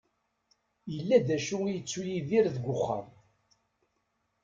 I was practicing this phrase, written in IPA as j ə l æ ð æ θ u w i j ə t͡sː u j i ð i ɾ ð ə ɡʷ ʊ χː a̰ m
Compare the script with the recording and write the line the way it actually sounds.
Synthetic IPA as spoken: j ə lː æ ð æ ʃ u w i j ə t͡sː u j i ð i ɾ ð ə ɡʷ ʊ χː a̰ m